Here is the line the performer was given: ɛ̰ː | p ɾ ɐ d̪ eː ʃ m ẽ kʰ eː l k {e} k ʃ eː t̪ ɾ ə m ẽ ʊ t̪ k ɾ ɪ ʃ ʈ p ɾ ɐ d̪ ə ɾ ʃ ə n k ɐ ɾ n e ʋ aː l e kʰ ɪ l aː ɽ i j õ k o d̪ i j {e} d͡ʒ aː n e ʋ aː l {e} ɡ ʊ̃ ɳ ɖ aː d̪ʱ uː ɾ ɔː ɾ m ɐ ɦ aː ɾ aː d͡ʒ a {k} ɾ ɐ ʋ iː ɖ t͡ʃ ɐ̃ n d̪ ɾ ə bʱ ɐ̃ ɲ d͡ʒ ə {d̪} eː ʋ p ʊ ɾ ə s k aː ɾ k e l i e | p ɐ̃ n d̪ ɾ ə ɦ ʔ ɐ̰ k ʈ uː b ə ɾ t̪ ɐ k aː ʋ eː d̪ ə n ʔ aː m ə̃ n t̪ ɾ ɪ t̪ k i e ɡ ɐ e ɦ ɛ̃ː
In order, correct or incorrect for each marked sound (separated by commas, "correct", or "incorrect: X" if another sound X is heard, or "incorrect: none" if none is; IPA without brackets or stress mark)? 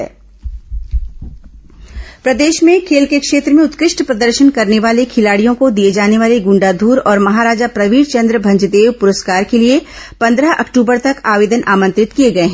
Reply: correct, correct, correct, incorrect: p, correct